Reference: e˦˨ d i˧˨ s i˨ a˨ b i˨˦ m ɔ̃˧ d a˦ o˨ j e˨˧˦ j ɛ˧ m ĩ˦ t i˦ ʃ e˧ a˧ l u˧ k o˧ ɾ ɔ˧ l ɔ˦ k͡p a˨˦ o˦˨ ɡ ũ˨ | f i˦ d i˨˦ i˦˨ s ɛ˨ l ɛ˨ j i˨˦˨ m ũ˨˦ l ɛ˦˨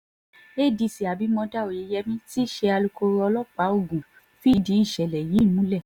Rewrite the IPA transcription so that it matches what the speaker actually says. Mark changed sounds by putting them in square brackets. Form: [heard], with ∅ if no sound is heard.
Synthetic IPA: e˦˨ d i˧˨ s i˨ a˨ b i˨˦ m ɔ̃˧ d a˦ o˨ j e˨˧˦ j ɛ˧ m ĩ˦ t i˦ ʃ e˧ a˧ l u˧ k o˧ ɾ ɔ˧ l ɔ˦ k͡p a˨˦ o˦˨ ɡ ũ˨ | f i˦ d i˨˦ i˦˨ [ʃ] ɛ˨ l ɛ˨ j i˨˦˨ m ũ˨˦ l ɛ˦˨